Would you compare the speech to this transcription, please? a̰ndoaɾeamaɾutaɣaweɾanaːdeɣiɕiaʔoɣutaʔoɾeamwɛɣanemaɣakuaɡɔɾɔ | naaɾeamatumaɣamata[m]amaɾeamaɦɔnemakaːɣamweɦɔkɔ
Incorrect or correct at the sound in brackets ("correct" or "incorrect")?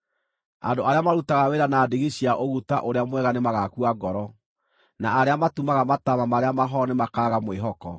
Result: correct